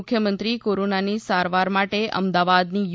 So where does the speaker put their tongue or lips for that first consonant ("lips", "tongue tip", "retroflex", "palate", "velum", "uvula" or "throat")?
velum